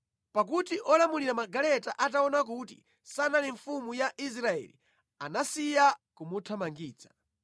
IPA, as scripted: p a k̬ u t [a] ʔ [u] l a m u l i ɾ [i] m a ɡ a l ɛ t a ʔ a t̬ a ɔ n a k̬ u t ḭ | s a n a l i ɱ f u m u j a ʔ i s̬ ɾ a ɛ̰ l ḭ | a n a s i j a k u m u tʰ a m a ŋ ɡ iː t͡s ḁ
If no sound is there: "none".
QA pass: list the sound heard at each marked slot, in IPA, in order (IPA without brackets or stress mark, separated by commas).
i, ɔ, a